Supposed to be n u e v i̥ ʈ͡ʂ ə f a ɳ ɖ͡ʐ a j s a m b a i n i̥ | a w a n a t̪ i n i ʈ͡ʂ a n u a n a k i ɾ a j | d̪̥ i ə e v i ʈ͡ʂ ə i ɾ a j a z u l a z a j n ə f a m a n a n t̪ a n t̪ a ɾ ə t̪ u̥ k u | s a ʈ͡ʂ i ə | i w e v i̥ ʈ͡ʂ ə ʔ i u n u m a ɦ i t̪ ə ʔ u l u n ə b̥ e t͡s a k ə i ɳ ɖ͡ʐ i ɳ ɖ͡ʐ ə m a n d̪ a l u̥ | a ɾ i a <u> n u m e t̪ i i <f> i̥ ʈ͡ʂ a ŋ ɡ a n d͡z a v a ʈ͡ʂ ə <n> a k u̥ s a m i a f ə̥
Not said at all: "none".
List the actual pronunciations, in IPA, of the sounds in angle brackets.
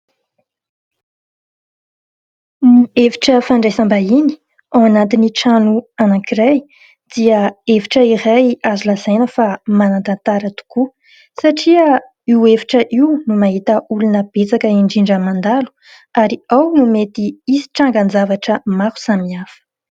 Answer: w, s, m

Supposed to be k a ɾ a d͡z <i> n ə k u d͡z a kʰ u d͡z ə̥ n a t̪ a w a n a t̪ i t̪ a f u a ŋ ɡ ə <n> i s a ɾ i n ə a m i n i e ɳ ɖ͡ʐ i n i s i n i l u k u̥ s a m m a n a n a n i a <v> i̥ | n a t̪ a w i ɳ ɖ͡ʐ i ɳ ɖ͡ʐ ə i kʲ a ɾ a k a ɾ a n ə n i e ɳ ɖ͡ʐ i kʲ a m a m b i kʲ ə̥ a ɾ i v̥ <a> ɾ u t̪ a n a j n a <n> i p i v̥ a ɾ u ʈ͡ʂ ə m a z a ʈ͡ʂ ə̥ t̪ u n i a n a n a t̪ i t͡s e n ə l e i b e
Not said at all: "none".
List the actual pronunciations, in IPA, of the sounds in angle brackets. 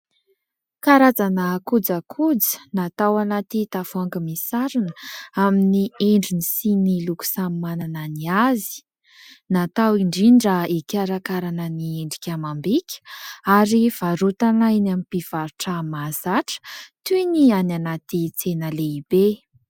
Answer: a, m, z, a, m

